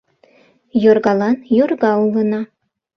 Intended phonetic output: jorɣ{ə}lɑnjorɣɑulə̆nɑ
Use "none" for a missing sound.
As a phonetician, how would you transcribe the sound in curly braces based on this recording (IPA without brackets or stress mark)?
ɑ